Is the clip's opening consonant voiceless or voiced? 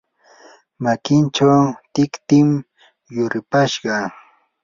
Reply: voiced